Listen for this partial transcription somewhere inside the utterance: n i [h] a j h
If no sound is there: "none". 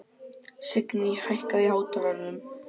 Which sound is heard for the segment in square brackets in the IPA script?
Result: h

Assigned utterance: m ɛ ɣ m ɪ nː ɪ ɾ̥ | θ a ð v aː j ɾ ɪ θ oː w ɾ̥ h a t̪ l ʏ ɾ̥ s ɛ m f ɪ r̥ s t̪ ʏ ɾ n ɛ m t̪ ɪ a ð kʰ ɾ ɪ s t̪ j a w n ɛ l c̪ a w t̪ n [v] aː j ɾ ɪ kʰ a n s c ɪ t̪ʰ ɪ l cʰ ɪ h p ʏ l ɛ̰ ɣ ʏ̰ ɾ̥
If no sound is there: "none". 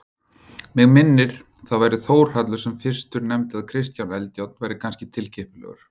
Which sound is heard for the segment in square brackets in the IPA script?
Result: v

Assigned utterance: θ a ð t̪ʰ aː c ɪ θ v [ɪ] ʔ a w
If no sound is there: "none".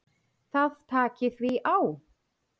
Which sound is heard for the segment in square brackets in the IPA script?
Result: i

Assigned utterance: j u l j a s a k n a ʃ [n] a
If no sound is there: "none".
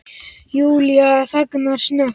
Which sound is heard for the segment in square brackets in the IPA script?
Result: n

